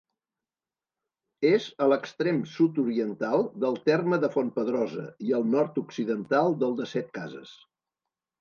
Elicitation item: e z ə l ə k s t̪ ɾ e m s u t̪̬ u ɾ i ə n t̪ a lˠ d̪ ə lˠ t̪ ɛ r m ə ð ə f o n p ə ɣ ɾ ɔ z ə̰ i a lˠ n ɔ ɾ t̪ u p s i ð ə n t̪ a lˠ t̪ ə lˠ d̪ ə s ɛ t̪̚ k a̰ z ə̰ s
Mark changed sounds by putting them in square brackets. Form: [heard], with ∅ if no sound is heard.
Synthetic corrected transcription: e z ə l ə k s t̪ ɾ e m s u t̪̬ u ɾ i ə n t̪ a lˠ d̪ ə lˠ t̪ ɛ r m ə ð ə f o n p ə [ð] ɾ ɔ z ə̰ i [ə] lˠ n ɔ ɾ t̪ u [k] s i ð ə n t̪ a lˠ [d̪] ə lˠ d̪ ə s ɛ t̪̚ k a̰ z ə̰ s